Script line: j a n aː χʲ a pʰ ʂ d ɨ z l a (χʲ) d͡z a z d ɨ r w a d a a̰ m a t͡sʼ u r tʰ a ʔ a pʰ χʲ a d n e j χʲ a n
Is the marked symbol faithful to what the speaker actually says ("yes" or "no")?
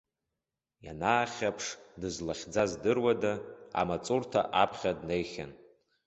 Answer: yes